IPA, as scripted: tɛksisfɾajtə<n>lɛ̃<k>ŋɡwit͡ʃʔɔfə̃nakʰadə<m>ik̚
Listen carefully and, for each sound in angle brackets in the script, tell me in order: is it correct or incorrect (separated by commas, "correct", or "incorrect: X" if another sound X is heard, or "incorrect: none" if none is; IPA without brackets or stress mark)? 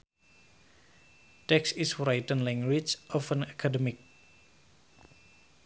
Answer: correct, incorrect: none, correct